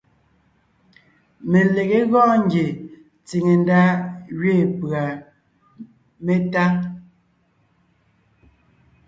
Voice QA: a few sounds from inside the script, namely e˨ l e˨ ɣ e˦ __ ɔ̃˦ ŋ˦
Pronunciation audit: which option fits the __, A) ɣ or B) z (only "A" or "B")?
A